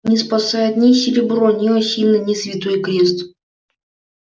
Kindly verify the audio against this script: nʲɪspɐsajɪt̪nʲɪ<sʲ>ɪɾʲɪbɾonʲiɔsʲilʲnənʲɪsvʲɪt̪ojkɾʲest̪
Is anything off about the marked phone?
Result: no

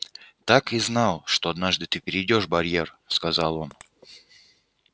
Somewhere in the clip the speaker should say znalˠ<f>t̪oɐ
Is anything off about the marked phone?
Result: yes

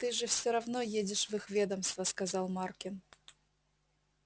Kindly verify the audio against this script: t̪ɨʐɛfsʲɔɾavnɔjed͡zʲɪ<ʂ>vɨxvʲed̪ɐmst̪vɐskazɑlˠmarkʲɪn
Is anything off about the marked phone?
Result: no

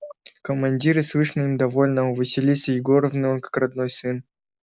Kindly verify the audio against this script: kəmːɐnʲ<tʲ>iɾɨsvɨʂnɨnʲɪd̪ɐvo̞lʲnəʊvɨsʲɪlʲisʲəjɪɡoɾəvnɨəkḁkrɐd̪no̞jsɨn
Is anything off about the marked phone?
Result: yes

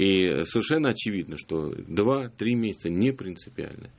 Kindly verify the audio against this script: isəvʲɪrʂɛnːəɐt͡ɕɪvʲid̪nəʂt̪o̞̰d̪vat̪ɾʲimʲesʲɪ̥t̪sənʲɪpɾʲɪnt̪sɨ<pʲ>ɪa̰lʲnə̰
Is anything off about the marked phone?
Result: no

